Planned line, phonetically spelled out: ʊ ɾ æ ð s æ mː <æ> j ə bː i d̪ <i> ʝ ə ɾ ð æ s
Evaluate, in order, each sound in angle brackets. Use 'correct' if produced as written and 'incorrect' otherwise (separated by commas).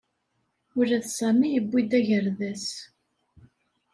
incorrect, incorrect